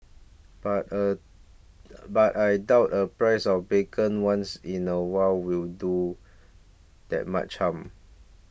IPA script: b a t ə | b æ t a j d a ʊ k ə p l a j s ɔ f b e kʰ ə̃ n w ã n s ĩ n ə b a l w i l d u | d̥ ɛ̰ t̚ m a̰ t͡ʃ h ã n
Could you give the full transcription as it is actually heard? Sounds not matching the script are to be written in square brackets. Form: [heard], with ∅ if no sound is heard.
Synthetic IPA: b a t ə | b [a] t a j d a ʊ [t] ə p [ɹ] a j s ɔ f b e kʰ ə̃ n w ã n s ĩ n ə [w] a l w i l d u | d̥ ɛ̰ t̚ m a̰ t͡ʃ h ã [m]